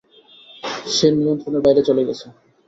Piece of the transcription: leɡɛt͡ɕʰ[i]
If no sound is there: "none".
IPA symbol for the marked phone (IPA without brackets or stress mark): e